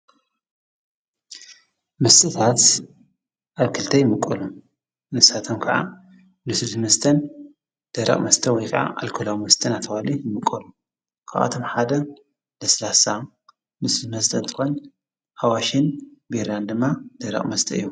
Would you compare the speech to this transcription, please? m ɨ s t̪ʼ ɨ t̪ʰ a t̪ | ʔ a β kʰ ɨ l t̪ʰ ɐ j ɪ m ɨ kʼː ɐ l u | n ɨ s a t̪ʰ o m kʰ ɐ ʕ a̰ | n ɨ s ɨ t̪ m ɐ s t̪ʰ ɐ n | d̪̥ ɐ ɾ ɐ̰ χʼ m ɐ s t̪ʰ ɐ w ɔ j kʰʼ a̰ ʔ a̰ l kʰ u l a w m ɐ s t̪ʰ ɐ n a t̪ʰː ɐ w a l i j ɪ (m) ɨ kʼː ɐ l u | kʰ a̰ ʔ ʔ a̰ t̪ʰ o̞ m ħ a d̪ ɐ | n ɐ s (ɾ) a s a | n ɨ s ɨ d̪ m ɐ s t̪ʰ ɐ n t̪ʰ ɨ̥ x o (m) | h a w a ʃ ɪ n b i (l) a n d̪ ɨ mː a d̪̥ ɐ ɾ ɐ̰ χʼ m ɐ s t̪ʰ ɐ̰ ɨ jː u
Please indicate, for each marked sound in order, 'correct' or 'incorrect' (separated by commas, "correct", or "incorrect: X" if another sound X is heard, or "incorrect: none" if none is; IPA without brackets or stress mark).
correct, incorrect: l, incorrect: n, incorrect: ɾ